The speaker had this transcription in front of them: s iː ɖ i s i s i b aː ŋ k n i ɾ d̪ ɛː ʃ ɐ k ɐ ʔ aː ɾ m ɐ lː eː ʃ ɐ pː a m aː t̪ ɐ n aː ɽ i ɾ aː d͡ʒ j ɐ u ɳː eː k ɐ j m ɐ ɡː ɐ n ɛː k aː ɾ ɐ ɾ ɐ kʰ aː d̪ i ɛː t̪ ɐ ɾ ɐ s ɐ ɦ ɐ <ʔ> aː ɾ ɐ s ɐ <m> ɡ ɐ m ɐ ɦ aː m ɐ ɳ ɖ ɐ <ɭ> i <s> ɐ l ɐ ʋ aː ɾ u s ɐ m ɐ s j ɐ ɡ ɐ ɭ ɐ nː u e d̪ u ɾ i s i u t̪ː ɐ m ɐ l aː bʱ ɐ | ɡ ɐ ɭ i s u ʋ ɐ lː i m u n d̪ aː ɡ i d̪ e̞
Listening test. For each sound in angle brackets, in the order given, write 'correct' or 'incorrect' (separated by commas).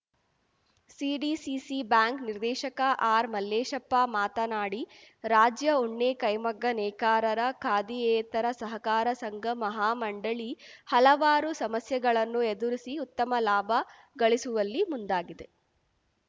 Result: incorrect, incorrect, correct, incorrect